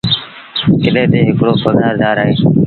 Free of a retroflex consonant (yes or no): no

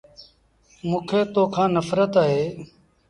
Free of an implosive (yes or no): yes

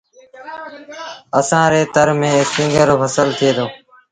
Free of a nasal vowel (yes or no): no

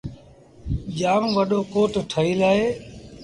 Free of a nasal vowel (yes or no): yes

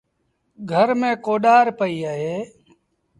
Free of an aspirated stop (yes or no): yes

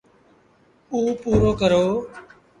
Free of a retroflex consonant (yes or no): yes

